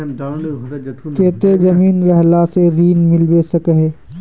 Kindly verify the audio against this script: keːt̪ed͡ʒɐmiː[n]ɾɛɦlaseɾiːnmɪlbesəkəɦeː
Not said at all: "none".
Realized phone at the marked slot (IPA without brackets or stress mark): n